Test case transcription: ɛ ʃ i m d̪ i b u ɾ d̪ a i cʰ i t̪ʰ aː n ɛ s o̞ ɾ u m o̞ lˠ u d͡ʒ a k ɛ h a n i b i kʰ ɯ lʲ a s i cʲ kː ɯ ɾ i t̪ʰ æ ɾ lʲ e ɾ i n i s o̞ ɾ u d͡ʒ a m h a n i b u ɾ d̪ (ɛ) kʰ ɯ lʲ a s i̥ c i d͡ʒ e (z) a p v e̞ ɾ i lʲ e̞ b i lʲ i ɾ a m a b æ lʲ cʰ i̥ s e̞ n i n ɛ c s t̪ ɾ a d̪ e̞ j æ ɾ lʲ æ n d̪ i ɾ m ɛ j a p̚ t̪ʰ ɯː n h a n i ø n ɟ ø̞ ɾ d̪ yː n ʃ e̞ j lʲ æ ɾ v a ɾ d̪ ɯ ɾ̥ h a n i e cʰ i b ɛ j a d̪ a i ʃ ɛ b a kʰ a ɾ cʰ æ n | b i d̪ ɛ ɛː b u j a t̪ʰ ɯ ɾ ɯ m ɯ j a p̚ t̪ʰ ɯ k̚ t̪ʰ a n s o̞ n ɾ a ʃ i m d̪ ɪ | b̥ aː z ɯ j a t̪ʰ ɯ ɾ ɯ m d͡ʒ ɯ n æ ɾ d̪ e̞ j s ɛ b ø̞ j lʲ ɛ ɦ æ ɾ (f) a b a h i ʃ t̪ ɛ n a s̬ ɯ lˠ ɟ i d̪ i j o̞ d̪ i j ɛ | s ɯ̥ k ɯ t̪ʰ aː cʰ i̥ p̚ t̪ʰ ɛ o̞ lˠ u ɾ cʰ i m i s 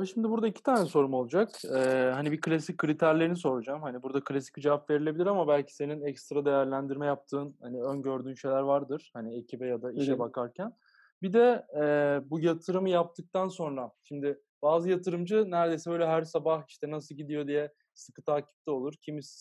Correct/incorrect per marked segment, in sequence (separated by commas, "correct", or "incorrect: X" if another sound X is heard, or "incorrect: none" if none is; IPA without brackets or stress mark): incorrect: a, incorrect: v, incorrect: s